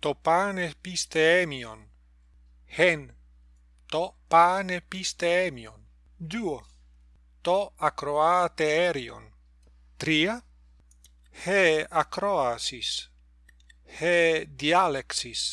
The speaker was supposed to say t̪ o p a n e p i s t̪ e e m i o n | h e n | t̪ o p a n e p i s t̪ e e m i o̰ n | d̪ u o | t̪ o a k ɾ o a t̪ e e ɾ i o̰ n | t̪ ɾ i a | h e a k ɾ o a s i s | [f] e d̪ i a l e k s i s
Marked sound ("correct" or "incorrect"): incorrect